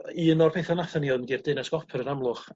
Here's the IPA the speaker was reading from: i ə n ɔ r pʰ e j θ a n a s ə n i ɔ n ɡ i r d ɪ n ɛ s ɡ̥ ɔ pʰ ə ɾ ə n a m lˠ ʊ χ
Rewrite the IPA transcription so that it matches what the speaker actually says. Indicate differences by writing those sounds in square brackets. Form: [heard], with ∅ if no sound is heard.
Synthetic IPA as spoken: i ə n ɔ r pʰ e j θ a n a [θ] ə n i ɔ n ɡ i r d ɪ n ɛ s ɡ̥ ɔ pʰ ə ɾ ə n a m lˠ ʊ χ